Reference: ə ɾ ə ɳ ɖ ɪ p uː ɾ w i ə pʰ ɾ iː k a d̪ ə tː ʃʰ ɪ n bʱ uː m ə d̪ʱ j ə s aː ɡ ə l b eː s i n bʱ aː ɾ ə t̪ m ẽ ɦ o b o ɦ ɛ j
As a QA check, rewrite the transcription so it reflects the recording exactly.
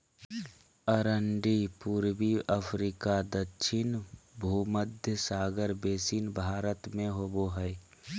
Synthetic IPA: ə ɾ ə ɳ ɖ i p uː ɾ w i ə pʰ ɾ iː k a d̪ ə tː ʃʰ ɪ n bʱ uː m ə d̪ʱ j ə s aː ɡ ə ɾ b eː s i n bʱ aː ɾ ə t̪ m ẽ ɦ o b o ɦ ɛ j